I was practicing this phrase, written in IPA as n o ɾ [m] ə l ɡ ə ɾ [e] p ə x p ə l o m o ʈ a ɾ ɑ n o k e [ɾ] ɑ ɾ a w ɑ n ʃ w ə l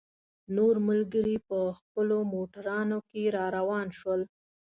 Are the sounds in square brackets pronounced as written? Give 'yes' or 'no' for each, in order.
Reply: yes, no, yes

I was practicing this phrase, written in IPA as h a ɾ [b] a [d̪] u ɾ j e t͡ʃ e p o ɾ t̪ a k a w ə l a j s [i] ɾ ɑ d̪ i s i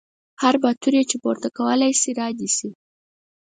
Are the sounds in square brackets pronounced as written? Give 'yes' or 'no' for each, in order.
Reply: yes, no, yes

